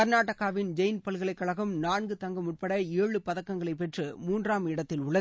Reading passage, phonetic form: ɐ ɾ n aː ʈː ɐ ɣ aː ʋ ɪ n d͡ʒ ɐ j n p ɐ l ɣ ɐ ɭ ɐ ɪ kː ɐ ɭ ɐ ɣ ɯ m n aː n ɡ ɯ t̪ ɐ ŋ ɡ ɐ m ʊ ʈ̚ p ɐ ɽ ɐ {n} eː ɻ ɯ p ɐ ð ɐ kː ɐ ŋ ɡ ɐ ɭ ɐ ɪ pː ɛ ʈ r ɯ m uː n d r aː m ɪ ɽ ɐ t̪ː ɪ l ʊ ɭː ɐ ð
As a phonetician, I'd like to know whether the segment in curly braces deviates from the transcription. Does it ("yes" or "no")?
yes